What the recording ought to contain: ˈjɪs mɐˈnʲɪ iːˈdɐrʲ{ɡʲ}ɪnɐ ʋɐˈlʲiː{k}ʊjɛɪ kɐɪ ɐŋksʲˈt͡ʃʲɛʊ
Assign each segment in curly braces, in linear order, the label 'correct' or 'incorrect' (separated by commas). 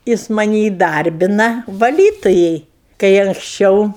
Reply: incorrect, incorrect